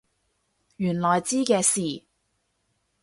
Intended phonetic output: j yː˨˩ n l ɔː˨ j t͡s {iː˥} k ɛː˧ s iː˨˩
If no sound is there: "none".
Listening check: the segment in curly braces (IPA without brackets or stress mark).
iː˥